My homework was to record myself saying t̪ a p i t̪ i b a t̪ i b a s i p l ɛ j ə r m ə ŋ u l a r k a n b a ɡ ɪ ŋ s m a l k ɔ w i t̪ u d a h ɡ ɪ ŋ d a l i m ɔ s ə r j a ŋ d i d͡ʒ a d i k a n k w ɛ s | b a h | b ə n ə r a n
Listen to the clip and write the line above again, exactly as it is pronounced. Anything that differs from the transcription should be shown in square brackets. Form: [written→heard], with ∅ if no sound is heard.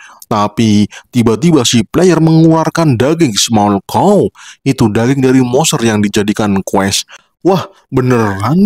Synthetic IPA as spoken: t̪ a p i t̪ i b a t̪ i b a s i p l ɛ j ə r m ə ŋ u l a r k a n [b→d] a ɡ ɪ ŋ s m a l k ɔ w i t̪ u d a [h→∅] ɡ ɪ ŋ d a [l→ɾ] i m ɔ s ə r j a ŋ d i d͡ʒ a d i k a n k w ɛ s | [b→w] a h | b ə n ə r a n

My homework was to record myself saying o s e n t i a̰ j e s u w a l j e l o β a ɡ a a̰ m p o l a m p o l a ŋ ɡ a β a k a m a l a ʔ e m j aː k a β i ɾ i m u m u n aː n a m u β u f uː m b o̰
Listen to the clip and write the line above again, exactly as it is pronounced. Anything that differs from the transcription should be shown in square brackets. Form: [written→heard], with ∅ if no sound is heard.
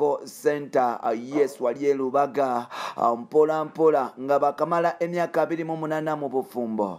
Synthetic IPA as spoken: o s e n t [i→a] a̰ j e s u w a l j e l [o→u] β a ɡ a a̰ m p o l a m p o l a ŋ ɡ a β a k a m a l a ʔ e m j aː k a β i ɾ i m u m u n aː n a m u β u f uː m b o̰

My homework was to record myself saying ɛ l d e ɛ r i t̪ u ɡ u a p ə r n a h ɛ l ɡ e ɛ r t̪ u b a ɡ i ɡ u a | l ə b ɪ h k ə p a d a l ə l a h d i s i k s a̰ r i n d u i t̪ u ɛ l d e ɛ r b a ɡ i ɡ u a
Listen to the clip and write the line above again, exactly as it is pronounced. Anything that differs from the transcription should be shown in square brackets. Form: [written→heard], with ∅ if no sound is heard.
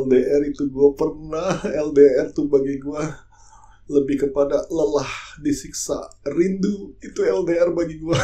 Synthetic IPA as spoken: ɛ l d e ɛ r i t̪ u ɡ u a p ə r n a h ɛ l [ɡ→d] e ɛ r t̪ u b a ɡ i ɡ u a | l ə b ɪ h k ə p a d a l ə l a h d i s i k s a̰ r i n d u i t̪ u ɛ l d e ɛ r b a ɡ i ɡ u a

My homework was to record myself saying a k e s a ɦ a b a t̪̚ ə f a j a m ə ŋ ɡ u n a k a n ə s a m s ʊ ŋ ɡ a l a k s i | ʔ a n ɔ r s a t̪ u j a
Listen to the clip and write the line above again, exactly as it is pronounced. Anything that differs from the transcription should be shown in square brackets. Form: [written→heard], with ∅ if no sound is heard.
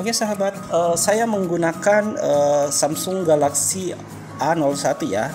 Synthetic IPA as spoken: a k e s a ɦ a b a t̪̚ ə [f→s] a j a m ə ŋ ɡ u n a k a n ə s a m s ʊ ŋ ɡ a l a k s i | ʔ a n ɔ [r→l] s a t̪ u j a

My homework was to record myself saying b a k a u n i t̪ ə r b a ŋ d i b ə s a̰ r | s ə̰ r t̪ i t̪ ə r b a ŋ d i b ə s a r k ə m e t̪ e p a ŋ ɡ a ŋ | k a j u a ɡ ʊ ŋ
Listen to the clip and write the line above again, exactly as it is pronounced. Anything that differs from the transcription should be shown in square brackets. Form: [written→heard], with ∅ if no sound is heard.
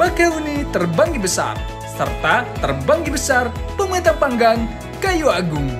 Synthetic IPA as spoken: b a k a u n i t̪ ə r b a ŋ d i b ə s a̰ r | s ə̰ r t̪ [i→a] t̪ ə r b a ŋ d i b ə s a r [k→p] ə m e t̪ [e→a] p a ŋ ɡ a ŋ | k a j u a ɡ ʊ ŋ

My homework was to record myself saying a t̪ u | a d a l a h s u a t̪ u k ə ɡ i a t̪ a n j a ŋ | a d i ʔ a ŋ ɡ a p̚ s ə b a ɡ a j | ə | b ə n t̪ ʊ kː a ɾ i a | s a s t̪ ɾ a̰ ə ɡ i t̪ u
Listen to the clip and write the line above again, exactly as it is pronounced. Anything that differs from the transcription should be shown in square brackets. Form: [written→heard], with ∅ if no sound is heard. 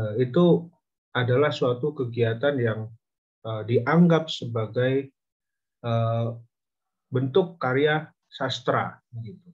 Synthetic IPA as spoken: [a→i] t̪ u | a d a l a h s u a t̪ u k ə ɡ i a t̪ a n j a ŋ | [a→ə] d i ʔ a ŋ ɡ a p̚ s ə b a ɡ a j | ə | b ə n t̪ ʊ kː a ɾ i a | s a s t̪ ɾ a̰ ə ɡ i t̪ u

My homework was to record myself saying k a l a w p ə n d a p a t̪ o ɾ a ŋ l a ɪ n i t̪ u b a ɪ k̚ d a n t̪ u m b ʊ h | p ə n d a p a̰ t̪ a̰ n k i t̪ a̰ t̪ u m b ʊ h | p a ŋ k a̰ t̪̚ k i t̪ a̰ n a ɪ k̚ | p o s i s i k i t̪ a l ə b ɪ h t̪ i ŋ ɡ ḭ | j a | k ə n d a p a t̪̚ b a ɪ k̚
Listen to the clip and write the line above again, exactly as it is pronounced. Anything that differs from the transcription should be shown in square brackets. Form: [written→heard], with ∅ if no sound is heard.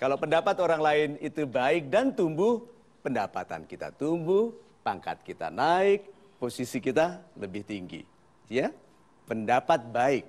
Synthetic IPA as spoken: k a l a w p ə n d a p a t̪ o ɾ a ŋ l a ɪ n i t̪ u b a ɪ k̚ d a n t̪ u m b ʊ h | p ə n d a p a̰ t̪ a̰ n k i t̪ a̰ t̪ u m b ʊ h | p a ŋ k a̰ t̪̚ k i t̪ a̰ n a ɪ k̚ | p o s i s i k i t̪ a l ə b ɪ h t̪ i ŋ ɡ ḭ | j a | [k→p] ə n d a p a t̪̚ b a ɪ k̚

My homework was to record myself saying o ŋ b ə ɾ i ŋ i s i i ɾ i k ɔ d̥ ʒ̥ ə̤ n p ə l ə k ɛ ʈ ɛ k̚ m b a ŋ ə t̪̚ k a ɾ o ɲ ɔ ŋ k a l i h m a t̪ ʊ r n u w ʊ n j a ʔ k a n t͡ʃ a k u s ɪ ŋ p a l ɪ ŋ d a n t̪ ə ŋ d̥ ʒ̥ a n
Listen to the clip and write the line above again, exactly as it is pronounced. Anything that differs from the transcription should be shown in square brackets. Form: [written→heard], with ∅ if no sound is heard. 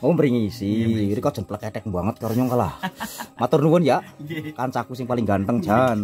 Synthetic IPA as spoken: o [ŋ→m] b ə ɾ i ŋ i s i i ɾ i k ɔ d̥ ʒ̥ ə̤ n p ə l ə k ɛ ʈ ɛ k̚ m b a ŋ ə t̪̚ k a ɾ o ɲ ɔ ŋ k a l [i→a] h m a t̪ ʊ r n u w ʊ n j a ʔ k a n t͡ʃ a k u s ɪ ŋ p a l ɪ ŋ [d→ɡ] a n t̪ ə ŋ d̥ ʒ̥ a n

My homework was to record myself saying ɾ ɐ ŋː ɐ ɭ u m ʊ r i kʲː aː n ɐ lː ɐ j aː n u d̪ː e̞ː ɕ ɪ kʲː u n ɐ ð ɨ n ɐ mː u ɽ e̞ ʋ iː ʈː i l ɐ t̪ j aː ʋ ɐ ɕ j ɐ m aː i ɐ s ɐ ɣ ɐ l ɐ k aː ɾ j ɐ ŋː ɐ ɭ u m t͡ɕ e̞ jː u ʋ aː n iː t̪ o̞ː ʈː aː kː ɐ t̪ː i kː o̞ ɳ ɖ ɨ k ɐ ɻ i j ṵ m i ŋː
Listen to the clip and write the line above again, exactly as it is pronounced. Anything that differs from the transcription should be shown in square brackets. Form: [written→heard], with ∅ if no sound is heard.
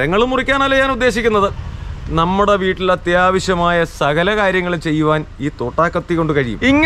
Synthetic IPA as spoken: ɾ ɐ ŋː ɐ ɭ u m [ʊ→u] r i kʲː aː n ɐ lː ɐ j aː n u d̪ː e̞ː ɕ [ɪ→i] kʲː u [n→nː] ɐ ð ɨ n ɐ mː u ɽ e̞ ʋ iː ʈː i l ɐ t̪ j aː ʋ ɐ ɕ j ɐ m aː [i→j] ɐ s ɐ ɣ ɐ l ɐ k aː ɾ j ɐ ŋː ɐ ɭ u m t͡ɕ e̞ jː u ʋ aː n iː t̪ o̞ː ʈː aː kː ɐ t̪ː i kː o̞ ɳ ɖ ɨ k ɐ ɻ i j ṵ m i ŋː

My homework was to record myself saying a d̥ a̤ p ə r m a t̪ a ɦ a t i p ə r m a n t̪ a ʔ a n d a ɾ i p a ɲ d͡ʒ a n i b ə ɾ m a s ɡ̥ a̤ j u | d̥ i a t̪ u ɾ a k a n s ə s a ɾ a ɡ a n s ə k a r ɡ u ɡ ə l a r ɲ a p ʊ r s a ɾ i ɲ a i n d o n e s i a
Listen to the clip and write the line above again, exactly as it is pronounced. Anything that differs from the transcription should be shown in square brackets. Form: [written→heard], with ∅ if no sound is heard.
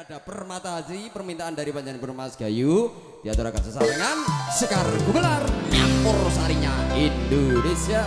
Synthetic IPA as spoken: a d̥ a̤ p ə r m a t̪ a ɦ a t i p ə r m [a→i] n t̪ a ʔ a n d a ɾ i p a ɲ d͡ʒ a n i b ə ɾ m a s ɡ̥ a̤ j u | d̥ i a t̪ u ɾ a k a n s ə s a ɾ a [ɡ→ŋ] a n s ə k a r ɡ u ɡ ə l a r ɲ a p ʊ r s a ɾ i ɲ a i n d o n e s i a

